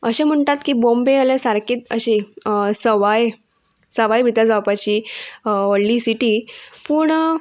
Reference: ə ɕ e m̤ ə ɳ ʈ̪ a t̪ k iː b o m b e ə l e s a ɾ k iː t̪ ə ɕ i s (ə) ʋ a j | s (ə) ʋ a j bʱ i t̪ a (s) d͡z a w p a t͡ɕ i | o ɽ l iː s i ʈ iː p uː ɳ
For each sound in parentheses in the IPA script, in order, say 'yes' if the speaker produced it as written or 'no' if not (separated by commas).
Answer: yes, yes, no